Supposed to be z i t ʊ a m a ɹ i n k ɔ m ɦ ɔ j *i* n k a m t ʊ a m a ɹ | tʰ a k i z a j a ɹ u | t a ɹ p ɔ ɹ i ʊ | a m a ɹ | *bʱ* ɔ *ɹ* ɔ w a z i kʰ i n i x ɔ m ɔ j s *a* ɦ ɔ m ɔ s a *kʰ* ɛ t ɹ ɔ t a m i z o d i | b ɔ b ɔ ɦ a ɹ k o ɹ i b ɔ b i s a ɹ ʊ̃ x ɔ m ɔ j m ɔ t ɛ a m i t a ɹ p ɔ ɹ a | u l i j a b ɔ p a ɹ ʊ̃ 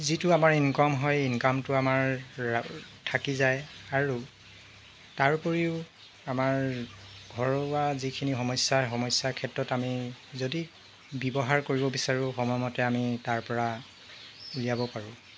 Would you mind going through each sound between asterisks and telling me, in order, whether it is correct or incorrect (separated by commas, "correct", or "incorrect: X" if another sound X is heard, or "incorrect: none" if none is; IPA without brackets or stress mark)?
correct, incorrect: ɡʱ, correct, correct, correct